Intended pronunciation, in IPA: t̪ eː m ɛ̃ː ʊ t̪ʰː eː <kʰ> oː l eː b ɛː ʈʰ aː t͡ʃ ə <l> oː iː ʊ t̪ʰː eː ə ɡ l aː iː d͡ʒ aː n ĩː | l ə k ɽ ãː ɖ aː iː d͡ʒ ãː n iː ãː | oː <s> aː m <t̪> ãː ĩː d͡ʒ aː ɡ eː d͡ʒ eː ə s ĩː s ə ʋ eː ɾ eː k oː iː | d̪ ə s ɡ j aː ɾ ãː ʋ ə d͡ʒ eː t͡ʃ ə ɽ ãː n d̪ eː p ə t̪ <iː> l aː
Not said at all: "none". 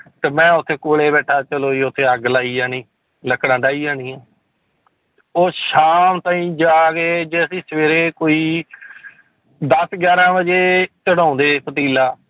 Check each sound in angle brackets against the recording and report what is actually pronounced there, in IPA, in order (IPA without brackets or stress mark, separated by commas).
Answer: k, l, ʃ, t̪, iː